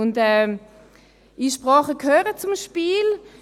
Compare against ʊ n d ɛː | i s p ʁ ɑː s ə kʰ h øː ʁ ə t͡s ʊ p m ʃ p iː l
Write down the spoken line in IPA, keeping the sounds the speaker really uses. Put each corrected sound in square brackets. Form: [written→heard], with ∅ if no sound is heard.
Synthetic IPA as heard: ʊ n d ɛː | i [s→ʃ] p ʁ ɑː [s→χ] ə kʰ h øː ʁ ə t͡s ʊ [p→∅] m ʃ p iː l